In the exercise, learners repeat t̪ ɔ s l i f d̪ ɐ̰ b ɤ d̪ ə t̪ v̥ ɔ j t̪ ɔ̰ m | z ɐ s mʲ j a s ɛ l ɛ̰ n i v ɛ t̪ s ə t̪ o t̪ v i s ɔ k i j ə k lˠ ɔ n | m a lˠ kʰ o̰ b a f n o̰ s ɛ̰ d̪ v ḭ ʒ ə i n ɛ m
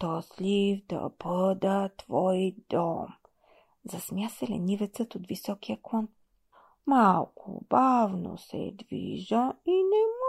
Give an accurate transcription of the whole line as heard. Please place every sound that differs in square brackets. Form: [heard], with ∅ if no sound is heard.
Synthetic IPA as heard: t̪ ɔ s l i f d̪ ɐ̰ b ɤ d̪ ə t̪ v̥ ɔ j [d̪] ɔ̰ m | z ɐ s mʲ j a s ɛ l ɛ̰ n i v ɛ t̪ s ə t̪ o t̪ v i s ɔ k i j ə k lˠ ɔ n | m a lˠ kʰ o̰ b a [v] n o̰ s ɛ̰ d̪ v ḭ ʒ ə i n ɛ m